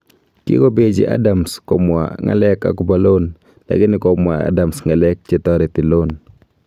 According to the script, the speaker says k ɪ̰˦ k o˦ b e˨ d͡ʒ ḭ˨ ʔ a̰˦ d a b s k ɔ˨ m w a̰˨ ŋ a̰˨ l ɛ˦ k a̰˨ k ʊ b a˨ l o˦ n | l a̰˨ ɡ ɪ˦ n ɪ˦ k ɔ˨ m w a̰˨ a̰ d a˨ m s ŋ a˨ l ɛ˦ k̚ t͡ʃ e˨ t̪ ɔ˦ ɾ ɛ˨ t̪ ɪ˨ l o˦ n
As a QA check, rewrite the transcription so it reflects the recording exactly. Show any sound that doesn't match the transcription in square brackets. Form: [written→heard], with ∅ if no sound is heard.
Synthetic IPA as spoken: k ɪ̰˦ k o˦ b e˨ d͡ʒ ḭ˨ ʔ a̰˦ d a [b→m] s k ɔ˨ m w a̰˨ ŋ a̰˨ l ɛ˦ k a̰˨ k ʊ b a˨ l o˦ n | l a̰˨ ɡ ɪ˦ n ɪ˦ k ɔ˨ m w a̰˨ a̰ d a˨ m s ŋ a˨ l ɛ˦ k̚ t͡ʃ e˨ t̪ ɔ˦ ɾ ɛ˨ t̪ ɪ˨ l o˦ n